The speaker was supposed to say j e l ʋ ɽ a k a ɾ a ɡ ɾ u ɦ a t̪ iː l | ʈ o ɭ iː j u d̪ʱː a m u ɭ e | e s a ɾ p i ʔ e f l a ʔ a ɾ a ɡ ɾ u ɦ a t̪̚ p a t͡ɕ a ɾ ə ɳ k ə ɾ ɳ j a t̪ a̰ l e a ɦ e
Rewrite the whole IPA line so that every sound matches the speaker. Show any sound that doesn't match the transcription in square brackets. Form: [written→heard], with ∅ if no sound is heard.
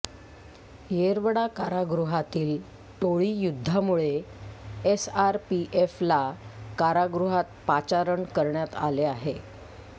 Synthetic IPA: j e [l→ɾ] ʋ ɽ a k a ɾ a ɡ ɾ u ɦ a t̪ iː l | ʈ o ɭ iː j u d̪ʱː a m u ɭ e | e s a ɾ p i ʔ e f l a [ʔ→k] a ɾ a ɡ ɾ u ɦ a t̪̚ p a t͡ɕ a ɾ ə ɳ k ə ɾ ɳ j a t̪ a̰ l e a ɦ e